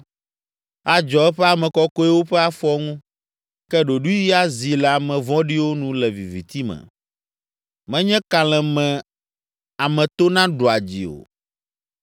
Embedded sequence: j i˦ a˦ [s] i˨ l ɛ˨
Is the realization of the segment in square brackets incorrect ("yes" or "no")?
yes